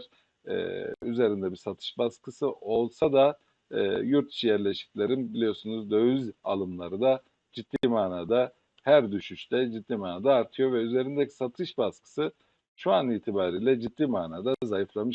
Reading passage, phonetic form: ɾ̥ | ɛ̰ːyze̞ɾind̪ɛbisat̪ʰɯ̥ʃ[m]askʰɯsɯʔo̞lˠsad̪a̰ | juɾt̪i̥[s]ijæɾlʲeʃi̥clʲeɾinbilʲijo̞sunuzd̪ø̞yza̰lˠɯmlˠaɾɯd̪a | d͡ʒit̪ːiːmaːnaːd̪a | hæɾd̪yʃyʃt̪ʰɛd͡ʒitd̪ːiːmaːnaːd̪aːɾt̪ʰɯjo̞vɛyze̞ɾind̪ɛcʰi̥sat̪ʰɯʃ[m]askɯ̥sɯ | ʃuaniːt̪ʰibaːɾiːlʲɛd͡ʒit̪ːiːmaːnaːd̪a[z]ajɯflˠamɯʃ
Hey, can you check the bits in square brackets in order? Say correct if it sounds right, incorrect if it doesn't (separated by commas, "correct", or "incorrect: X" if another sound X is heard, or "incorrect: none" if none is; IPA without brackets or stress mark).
incorrect: b, incorrect: ʃ, incorrect: b, correct